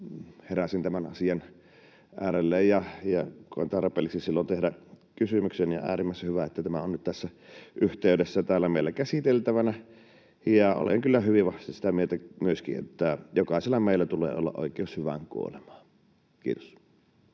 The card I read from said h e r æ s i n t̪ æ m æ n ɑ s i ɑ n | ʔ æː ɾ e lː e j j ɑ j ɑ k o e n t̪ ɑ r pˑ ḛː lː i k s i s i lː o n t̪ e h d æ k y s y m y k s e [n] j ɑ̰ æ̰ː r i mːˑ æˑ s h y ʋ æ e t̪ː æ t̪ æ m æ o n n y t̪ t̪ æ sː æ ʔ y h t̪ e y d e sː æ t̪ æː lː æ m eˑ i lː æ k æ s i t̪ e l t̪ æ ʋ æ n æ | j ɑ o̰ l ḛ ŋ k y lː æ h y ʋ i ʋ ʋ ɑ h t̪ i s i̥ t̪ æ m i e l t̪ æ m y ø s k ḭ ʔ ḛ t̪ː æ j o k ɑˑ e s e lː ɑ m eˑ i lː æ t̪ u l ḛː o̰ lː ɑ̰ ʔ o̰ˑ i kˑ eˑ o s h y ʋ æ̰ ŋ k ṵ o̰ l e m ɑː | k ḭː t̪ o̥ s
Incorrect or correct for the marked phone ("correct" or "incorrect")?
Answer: correct